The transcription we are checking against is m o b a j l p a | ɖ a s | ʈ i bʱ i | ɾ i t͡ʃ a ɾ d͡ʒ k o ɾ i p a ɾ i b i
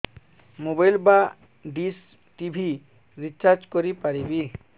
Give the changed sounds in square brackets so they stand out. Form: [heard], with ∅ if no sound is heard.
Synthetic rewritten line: m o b a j l [b] a | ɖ [i] s | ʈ i bʱ i | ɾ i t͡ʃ a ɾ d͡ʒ k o ɾ i p a ɾ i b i